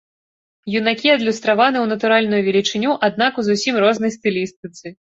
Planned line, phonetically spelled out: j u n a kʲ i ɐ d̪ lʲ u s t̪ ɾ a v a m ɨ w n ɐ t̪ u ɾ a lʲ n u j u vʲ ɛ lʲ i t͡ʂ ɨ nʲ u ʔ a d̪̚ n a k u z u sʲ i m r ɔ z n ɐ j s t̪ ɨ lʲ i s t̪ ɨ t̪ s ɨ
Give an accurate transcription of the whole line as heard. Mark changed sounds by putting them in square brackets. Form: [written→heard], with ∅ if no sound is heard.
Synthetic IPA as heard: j u n a kʲ i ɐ d̪ lʲ u s t̪ ɾ a v a [m→n] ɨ w n ɐ t̪ u ɾ a lʲ n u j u vʲ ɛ lʲ i t͡ʂ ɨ nʲ u ʔ a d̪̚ n a k u z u sʲ i m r ɔ z n ɐ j s t̪ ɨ lʲ i s t̪ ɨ t̪ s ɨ